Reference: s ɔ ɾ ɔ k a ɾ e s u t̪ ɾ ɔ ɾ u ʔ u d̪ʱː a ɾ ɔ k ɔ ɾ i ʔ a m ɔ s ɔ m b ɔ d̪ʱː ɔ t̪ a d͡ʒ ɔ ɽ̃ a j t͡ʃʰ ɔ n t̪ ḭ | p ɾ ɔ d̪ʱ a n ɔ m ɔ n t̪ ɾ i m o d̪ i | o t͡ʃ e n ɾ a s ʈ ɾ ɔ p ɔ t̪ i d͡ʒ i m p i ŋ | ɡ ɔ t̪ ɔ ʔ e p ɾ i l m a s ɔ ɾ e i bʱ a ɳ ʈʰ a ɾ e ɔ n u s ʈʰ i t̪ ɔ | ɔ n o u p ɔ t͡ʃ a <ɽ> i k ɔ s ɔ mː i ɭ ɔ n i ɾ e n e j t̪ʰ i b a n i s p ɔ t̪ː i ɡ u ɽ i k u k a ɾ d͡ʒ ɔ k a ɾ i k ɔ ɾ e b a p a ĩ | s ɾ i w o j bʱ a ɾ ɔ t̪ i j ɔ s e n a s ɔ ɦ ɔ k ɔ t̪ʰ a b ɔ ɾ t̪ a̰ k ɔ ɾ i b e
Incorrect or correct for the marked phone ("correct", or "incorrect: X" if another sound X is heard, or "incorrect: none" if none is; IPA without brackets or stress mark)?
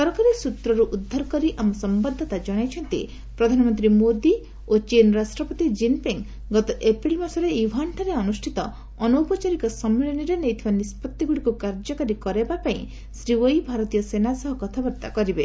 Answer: incorrect: ɾ